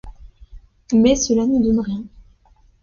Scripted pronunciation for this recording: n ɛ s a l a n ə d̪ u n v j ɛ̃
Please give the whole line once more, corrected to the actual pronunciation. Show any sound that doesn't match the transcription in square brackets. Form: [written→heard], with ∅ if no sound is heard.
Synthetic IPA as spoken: [n→m] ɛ s [a→ə] l a n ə d̪ [u→ɔ] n [v→ʁ] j ɛ̃